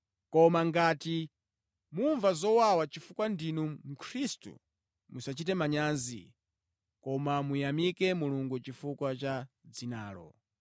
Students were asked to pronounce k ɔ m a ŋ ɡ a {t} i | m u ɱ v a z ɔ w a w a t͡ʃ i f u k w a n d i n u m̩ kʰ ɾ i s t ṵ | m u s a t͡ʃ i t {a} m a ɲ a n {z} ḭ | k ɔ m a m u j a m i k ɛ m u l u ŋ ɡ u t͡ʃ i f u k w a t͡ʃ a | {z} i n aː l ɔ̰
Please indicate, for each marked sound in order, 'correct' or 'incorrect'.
correct, incorrect: ɛ, correct, incorrect: d͡z

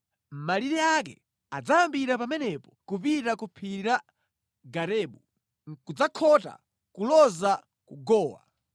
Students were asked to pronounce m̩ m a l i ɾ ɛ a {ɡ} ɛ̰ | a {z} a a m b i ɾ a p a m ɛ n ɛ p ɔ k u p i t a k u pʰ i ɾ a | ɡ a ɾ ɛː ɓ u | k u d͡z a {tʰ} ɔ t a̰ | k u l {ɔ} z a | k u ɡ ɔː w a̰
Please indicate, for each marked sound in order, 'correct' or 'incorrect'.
incorrect: k, incorrect: d͡z, incorrect: kʰ, correct

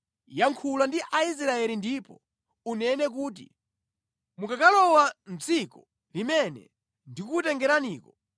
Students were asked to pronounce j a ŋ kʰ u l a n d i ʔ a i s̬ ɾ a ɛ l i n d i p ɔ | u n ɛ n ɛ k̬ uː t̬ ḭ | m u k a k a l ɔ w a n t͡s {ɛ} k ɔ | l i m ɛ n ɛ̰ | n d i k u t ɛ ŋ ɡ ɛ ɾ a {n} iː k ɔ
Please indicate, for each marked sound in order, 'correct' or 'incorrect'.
incorrect: i, correct

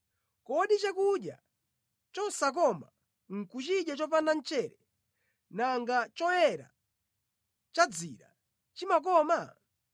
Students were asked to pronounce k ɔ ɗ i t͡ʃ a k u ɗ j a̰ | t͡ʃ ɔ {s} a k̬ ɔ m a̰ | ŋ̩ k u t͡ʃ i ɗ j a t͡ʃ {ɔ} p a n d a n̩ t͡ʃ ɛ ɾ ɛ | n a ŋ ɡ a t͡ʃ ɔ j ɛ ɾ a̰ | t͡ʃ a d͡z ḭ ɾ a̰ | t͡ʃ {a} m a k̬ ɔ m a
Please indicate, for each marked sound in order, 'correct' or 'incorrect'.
correct, correct, incorrect: i

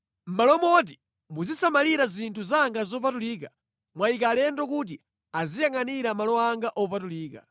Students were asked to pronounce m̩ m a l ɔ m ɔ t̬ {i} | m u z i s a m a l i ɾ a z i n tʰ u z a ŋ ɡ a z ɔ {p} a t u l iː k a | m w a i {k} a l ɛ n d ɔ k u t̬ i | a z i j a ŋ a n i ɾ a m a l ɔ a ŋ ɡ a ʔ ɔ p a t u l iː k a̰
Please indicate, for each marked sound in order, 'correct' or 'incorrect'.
correct, correct, correct

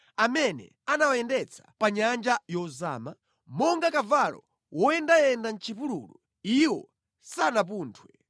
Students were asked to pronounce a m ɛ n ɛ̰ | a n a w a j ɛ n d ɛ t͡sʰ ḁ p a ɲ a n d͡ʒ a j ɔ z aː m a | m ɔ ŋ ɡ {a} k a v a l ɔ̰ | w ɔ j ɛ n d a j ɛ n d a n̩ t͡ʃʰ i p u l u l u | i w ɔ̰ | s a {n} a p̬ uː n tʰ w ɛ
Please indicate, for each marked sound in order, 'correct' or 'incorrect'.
correct, correct

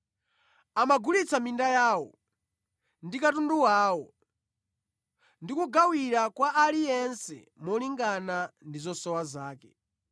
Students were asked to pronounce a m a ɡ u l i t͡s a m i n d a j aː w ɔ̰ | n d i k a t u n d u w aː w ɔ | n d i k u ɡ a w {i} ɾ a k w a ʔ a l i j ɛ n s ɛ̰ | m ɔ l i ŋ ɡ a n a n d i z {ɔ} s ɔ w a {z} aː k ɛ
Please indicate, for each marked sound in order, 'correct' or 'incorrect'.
correct, correct, correct

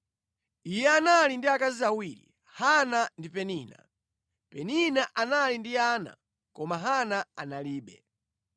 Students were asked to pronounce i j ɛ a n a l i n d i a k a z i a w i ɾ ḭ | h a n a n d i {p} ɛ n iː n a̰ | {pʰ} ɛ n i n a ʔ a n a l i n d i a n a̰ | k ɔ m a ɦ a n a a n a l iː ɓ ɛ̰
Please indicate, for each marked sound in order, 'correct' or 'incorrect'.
correct, incorrect: p

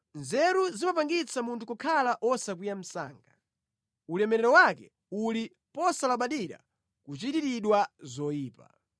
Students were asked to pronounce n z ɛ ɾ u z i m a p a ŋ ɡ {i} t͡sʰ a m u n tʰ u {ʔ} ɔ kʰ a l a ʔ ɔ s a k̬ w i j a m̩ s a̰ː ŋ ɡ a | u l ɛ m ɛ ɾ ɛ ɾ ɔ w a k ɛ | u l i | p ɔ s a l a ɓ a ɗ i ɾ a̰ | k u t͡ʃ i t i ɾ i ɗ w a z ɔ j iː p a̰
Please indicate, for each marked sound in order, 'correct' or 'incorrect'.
correct, incorrect: k

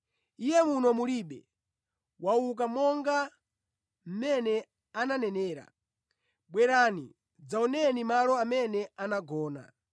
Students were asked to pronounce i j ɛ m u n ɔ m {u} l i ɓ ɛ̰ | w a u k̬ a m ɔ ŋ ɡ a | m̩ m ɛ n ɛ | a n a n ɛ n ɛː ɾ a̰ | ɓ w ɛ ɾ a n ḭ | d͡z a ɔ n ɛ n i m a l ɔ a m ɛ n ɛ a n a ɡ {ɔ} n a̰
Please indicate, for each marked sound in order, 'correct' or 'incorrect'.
correct, incorrect: ɔː

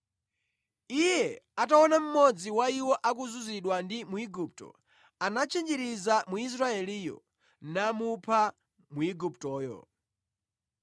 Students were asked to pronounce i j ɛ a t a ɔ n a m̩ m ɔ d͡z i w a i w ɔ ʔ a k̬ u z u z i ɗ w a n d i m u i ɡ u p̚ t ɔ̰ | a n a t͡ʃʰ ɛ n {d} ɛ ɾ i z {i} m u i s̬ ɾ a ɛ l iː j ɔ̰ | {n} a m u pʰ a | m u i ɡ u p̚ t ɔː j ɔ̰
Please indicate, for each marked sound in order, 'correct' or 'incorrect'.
incorrect: d͡ʒ, incorrect: a, correct

